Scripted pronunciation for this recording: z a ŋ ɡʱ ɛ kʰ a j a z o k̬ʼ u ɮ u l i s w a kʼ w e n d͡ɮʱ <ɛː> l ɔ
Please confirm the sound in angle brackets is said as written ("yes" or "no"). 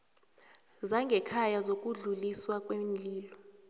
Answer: no